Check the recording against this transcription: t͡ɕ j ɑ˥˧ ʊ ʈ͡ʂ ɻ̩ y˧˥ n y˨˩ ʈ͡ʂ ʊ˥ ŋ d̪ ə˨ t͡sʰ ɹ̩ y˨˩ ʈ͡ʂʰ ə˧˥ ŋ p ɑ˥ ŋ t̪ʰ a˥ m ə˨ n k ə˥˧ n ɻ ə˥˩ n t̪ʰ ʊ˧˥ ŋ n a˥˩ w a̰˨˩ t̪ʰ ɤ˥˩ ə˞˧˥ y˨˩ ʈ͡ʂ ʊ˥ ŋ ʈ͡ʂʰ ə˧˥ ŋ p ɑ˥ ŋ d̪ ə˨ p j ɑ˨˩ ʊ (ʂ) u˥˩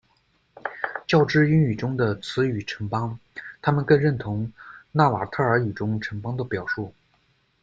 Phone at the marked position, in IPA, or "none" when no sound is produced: ʂ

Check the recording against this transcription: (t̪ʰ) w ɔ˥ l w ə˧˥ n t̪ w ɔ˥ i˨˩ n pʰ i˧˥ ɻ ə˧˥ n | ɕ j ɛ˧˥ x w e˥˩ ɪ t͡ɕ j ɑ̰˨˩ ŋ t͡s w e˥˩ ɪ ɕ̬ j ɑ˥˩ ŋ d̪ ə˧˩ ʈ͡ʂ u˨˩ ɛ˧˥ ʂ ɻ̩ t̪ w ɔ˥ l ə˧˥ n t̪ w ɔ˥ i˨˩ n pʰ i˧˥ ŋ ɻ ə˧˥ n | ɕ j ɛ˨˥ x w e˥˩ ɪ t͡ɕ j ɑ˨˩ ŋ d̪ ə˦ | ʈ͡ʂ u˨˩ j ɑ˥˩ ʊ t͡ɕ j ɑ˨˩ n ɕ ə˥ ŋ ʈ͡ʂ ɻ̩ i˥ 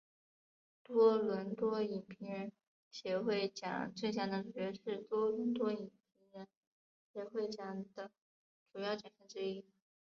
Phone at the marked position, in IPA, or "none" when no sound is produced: t̪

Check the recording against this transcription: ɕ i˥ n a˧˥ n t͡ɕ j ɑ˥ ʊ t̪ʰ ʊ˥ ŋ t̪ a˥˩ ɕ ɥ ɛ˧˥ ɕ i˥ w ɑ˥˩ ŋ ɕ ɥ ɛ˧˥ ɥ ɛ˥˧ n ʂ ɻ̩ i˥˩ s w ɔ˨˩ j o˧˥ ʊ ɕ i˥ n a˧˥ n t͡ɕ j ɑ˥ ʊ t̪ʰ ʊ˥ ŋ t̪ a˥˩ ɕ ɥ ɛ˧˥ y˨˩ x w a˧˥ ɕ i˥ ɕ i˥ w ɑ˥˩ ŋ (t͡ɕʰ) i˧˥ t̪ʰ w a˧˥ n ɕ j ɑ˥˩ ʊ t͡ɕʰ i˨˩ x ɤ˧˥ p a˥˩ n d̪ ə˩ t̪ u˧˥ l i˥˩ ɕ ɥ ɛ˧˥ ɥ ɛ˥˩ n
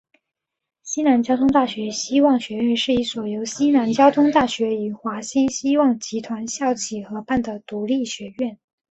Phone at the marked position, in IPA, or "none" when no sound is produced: t͡ɕ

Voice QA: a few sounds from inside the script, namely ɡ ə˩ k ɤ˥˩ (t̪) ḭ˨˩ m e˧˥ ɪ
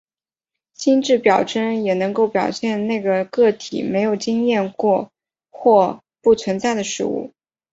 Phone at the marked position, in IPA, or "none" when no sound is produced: t̪ʰ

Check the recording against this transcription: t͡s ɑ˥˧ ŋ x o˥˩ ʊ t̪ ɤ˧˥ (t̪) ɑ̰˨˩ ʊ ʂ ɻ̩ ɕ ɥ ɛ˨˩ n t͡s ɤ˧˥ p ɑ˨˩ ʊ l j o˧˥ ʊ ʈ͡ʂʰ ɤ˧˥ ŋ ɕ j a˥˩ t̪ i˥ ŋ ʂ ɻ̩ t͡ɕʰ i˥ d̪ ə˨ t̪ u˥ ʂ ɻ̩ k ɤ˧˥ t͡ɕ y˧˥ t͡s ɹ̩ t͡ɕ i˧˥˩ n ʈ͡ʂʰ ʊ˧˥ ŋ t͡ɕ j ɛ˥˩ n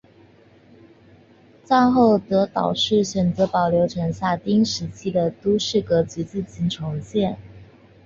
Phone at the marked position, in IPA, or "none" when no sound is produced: t̪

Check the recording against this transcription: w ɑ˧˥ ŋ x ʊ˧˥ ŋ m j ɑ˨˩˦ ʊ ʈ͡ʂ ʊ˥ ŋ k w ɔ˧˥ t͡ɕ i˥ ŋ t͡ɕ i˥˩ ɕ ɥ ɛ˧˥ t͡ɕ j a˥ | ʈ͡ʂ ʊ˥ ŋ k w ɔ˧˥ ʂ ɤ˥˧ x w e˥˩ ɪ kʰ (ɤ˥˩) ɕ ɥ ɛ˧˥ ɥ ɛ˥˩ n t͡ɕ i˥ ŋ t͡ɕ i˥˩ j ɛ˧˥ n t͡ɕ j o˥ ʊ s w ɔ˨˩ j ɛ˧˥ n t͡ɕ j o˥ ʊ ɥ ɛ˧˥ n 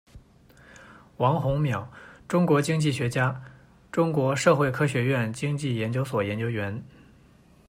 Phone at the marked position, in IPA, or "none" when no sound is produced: ɤ˥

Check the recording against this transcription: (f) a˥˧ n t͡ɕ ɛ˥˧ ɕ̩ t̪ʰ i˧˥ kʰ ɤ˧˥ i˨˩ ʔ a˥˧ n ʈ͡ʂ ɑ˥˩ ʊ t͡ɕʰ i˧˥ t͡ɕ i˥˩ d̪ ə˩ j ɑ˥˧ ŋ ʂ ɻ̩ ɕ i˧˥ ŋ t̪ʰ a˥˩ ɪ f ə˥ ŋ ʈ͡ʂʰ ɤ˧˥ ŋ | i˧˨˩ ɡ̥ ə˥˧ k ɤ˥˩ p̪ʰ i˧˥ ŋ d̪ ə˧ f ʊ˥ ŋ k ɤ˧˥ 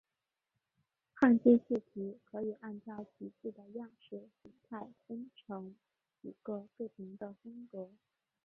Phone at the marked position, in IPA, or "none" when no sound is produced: x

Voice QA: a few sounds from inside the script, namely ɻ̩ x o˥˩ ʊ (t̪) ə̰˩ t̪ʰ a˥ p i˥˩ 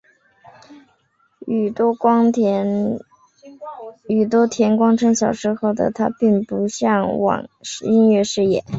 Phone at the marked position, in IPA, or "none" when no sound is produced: d̪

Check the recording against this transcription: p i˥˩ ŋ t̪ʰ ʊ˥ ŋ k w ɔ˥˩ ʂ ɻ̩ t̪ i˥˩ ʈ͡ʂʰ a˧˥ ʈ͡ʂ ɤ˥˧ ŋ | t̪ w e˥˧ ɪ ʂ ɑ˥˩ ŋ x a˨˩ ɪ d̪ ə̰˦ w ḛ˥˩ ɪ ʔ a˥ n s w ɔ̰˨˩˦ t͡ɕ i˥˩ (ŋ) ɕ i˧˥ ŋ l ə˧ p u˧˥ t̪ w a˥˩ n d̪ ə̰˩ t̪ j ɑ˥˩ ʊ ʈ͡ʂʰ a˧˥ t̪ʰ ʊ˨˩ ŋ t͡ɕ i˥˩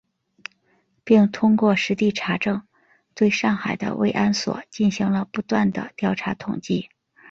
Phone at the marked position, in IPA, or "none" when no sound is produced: n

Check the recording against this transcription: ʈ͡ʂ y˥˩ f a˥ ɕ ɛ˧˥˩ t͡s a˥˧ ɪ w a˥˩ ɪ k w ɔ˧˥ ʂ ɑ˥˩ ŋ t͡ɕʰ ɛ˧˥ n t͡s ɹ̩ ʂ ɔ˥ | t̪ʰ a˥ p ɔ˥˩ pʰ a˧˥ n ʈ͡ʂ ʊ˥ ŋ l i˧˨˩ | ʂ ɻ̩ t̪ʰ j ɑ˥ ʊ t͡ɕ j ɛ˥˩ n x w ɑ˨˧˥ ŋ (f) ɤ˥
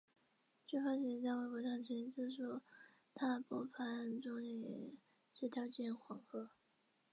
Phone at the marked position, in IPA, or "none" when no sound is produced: x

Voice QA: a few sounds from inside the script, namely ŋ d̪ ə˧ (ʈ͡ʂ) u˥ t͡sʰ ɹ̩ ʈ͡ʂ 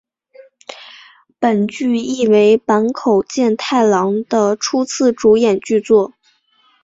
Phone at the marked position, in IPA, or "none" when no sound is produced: ʈ͡ʂʰ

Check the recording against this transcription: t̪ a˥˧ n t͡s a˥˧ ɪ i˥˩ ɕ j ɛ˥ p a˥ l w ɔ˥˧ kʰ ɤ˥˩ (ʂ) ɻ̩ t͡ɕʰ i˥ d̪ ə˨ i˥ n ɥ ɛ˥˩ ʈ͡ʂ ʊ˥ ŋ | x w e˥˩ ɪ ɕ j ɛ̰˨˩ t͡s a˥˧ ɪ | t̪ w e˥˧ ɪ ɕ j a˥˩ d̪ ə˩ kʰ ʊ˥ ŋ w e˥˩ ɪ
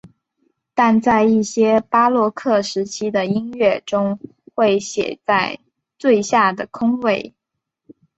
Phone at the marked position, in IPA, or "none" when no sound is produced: ʂ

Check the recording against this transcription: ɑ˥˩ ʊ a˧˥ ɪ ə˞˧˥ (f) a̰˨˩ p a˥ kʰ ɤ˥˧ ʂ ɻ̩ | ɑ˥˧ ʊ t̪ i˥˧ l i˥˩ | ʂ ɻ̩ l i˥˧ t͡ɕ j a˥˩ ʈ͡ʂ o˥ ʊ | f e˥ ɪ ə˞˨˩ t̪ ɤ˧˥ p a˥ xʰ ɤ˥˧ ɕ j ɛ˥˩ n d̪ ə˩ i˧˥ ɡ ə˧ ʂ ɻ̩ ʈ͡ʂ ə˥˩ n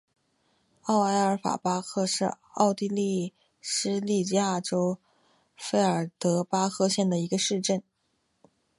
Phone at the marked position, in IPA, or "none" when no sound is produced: f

